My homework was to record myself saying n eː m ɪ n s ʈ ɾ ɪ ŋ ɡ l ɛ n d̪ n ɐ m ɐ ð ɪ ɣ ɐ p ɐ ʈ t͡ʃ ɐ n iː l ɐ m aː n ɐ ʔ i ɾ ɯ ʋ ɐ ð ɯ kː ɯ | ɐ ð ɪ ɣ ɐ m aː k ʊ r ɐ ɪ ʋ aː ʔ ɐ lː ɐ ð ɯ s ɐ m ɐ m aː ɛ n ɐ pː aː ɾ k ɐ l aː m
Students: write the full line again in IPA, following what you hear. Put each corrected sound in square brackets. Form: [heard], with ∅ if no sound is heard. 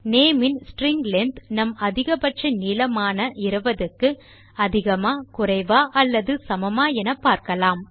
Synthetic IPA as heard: n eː m ɪ n s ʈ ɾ ɪ ŋ ɡ l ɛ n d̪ n ɐ m ɐ ð ɪ ɣ ɐ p ɐ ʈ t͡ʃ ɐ n iː l ɐ m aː n ɐ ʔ [ɪ] ɾ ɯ ʋ ɐ ð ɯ kː ɯ | ɐ ð ɪ ɣ ɐ m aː k ʊ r ɐ ɪ ʋ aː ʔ ɐ lː ɐ ð ɯ s ɐ m ɐ m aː ɛ n ɐ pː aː ɾ k ɐ l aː m